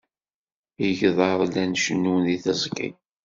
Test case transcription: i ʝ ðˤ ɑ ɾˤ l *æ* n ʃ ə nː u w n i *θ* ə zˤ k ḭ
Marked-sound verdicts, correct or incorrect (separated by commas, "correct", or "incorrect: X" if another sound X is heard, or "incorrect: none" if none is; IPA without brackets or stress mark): correct, correct